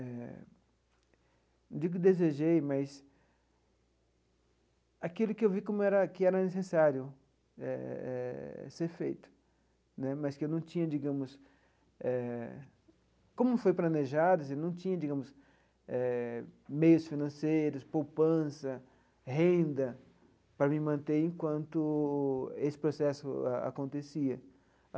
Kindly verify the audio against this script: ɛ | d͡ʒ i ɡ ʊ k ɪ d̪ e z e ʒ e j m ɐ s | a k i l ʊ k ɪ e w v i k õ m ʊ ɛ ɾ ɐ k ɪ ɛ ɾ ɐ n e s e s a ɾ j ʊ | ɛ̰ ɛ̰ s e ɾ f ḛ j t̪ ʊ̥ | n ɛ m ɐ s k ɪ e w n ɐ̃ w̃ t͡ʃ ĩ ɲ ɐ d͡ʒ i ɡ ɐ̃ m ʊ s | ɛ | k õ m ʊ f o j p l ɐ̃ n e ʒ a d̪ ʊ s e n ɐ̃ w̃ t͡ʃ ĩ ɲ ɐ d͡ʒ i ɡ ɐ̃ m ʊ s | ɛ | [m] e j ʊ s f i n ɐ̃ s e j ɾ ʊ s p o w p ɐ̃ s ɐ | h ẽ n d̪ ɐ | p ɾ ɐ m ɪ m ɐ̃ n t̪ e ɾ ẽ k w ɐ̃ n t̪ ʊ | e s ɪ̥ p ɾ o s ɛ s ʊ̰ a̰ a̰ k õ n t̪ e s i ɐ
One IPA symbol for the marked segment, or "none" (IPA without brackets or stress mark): m